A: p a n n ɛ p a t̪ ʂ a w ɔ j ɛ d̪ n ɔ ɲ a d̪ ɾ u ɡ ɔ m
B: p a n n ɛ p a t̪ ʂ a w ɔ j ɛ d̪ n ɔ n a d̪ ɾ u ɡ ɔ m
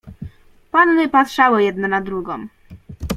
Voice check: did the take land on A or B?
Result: B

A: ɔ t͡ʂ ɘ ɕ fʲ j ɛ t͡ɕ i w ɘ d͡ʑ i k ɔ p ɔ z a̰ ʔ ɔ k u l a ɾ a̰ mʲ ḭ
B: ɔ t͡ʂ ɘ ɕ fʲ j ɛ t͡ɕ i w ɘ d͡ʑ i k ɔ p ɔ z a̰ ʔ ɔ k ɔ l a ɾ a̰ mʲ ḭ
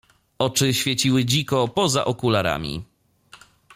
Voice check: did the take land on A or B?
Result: A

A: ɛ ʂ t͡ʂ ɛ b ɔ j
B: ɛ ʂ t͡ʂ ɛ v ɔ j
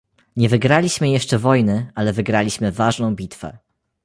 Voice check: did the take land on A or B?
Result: B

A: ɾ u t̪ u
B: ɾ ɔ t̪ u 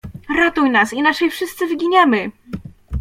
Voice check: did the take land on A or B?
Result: B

